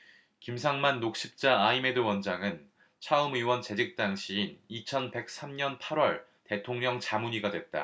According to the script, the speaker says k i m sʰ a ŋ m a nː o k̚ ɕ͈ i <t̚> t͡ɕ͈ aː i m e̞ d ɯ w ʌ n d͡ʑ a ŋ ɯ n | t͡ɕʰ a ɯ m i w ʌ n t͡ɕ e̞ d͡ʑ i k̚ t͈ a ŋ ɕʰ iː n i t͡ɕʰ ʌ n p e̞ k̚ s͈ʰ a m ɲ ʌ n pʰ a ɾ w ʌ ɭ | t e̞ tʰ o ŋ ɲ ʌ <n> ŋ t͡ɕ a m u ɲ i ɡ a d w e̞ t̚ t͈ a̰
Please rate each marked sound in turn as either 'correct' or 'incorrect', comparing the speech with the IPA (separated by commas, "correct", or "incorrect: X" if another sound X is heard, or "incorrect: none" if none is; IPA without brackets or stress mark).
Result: incorrect: p̚, incorrect: none